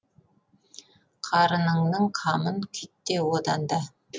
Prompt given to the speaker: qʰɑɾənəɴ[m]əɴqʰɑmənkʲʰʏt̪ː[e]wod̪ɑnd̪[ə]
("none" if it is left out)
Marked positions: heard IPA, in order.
n, e, ɑ

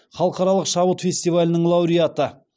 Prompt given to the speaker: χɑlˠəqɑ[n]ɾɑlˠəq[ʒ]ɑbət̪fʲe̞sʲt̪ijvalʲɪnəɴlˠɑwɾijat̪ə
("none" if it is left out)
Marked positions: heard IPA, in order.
none, ʃ

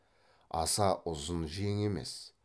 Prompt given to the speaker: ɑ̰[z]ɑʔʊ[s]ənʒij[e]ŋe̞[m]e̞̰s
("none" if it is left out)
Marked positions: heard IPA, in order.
s, z, e, m

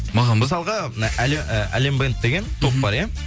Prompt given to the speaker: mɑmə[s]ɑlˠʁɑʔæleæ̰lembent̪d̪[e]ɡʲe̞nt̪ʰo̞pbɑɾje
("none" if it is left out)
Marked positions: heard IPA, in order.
s, e

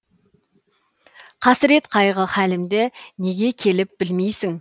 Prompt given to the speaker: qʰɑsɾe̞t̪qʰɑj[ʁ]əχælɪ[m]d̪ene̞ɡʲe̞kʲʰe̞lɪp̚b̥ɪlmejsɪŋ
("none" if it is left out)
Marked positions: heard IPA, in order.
ʁ, m

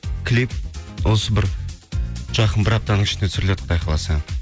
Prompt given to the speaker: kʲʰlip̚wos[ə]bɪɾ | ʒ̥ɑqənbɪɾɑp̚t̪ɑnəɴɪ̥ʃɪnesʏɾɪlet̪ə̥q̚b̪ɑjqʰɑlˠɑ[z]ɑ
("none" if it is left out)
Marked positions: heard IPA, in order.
ə, s

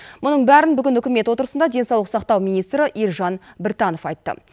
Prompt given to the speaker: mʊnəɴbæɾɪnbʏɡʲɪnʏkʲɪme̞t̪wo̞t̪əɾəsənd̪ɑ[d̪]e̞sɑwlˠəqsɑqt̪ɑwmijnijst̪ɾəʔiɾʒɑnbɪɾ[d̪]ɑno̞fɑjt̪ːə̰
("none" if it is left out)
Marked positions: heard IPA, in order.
d̪, t̪

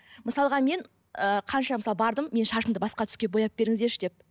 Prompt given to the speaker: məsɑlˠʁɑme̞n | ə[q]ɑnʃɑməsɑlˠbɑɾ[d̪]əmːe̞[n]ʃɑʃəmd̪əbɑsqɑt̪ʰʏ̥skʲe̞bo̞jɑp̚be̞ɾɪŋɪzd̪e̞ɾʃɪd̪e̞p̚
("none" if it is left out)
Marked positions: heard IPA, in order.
qʰ, d̪, n

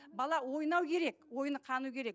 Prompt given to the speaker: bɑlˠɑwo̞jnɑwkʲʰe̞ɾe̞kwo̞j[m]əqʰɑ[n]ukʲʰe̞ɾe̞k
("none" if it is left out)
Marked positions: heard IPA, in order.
n, n

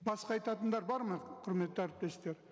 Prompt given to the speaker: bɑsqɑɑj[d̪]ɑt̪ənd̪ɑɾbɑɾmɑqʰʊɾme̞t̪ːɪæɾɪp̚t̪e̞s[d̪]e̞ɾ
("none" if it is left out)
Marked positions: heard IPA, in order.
t̪, t̪

